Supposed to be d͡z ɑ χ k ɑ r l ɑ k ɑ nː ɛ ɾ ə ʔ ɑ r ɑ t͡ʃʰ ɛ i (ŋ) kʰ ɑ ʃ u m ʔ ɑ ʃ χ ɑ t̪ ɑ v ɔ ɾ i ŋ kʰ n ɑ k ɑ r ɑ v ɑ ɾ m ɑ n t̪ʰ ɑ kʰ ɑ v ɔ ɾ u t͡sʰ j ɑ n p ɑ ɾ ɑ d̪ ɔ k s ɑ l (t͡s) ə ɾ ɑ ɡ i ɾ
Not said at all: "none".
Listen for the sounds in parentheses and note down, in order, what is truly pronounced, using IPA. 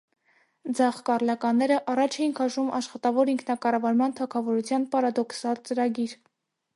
n, t͡s

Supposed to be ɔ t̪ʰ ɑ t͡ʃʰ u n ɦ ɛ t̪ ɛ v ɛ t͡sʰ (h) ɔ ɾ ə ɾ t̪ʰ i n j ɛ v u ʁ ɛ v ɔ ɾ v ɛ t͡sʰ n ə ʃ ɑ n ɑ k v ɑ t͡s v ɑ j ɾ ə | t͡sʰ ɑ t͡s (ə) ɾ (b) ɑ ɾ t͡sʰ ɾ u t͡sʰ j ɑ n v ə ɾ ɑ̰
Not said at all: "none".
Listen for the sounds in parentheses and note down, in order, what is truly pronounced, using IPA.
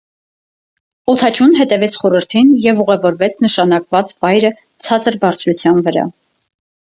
χ, ə, b

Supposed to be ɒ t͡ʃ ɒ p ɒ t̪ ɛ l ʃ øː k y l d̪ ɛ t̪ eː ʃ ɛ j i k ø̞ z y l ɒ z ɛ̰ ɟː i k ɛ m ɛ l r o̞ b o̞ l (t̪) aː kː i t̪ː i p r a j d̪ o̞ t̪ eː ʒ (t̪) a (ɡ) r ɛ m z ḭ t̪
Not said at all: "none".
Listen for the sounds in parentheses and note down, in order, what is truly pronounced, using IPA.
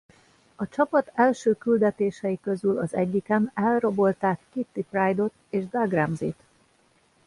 t̪, d̪, ɡ

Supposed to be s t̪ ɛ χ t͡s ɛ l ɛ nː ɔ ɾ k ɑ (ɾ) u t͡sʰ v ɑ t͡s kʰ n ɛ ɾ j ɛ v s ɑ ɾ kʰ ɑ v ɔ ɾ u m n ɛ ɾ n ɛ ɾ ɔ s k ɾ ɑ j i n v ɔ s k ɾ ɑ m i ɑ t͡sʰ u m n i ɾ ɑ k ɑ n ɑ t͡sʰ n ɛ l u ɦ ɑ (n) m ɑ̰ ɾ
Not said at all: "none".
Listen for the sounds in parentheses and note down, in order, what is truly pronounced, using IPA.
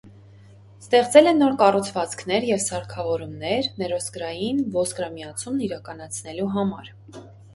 r, none

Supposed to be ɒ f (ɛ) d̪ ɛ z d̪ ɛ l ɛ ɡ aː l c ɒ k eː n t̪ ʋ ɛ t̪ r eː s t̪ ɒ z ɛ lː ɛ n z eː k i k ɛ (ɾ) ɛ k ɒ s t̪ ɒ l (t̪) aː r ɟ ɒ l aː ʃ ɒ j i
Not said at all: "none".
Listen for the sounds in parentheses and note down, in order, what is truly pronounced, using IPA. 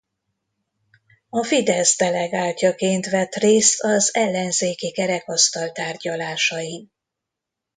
i, ɾ, t̪

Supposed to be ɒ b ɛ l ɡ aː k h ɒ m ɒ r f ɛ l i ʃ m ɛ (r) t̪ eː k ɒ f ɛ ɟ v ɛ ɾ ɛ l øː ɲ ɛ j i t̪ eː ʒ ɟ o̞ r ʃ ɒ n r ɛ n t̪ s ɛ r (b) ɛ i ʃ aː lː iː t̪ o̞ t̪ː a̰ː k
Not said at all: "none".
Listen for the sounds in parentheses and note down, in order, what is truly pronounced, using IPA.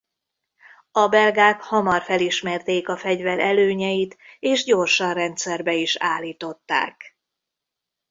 r, b

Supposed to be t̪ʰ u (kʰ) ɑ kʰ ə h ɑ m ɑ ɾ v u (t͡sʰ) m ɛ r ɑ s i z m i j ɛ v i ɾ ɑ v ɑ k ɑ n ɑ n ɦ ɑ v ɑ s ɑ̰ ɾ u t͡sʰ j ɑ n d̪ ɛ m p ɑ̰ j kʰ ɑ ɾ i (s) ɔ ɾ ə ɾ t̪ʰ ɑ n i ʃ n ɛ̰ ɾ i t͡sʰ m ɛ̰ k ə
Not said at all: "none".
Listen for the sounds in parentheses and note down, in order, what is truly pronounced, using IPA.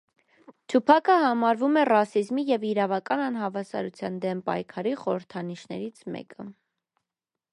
pʰ, none, χ

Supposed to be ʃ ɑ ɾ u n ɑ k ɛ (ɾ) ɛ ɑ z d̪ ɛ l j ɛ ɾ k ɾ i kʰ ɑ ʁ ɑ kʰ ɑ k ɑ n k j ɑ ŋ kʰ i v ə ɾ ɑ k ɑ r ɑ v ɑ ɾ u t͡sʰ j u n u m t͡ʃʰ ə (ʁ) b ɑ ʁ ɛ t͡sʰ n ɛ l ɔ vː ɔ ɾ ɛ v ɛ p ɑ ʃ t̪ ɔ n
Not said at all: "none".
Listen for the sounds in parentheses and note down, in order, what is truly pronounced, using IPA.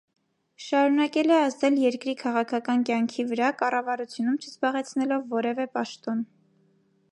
l, z

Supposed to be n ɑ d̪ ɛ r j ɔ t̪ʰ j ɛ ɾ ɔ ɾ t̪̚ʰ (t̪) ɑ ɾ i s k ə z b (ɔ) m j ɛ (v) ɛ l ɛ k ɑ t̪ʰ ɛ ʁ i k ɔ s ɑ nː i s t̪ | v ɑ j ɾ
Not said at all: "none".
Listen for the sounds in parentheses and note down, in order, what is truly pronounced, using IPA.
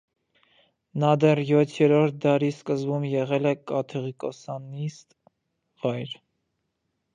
d̪, u, ʁ

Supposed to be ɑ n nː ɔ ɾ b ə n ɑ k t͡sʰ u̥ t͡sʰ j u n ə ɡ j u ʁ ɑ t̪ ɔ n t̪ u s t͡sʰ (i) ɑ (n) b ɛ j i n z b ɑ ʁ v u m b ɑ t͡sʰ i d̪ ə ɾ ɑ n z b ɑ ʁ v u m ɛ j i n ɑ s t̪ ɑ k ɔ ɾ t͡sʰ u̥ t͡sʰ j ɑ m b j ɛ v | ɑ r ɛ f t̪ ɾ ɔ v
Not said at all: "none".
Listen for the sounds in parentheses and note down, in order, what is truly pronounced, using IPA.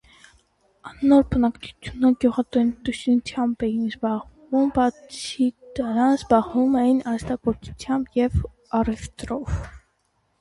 j, m

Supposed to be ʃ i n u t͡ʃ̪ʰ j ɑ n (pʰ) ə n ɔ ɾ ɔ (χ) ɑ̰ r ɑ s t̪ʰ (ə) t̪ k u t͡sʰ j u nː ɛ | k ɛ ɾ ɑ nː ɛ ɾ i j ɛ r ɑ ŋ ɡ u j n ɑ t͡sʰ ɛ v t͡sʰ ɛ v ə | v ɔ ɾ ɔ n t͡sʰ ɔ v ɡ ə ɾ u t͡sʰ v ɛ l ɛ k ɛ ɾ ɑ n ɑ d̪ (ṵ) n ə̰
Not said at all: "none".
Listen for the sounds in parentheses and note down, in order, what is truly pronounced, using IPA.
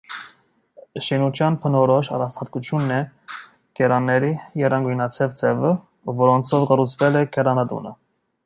pʰ, ʃ, ɑ, ṵ

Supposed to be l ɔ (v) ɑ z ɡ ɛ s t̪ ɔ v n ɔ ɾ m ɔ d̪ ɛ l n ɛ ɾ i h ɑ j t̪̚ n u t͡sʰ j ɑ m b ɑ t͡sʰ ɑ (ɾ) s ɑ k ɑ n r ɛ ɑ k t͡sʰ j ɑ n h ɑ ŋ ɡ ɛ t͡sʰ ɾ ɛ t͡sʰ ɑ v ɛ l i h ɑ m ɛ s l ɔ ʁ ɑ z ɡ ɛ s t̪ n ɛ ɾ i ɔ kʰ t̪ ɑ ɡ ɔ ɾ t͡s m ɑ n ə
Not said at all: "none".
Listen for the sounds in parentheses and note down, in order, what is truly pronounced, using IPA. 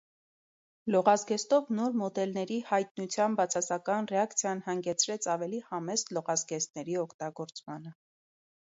ʁ, none

